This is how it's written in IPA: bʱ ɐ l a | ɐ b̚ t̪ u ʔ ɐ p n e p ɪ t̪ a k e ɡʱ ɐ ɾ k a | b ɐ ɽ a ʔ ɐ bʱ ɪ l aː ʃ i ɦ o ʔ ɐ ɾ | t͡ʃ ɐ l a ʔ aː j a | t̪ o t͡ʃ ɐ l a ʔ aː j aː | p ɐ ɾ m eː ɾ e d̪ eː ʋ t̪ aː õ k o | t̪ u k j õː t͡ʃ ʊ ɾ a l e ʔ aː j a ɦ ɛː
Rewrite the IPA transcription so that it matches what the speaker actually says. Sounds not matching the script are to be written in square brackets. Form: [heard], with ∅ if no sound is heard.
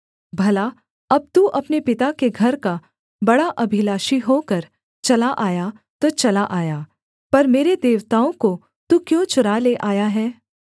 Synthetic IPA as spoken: bʱ ɐ l a | ɐ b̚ t̪ u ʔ ɐ p n e p ɪ t̪ a k e ɡʱ ɐ ɾ k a | b ɐ ɽ a ʔ ɐ bʱ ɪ l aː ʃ i ɦ o [k] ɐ ɾ | t͡ʃ ɐ l a ʔ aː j a | t̪ o t͡ʃ ɐ l a ʔ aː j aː | p ɐ ɾ m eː ɾ e d̪ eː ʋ t̪ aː õ k o | t̪ u k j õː t͡ʃ ʊ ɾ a l e ʔ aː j a ɦ ɛː